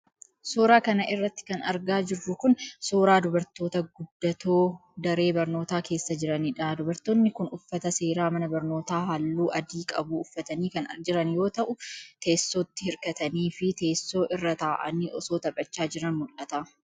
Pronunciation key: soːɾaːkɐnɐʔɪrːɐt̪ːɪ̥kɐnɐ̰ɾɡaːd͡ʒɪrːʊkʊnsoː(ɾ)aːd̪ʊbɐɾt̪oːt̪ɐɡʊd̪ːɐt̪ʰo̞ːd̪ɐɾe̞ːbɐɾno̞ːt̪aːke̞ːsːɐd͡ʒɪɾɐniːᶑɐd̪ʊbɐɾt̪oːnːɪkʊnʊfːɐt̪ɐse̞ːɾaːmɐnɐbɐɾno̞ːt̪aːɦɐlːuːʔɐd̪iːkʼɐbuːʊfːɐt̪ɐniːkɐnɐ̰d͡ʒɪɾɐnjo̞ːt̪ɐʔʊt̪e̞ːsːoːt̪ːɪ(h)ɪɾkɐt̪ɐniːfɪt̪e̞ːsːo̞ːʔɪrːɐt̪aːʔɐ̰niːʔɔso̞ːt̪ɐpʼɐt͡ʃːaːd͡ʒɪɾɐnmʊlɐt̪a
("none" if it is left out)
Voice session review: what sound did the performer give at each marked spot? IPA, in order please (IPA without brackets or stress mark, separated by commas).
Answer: ɾ, h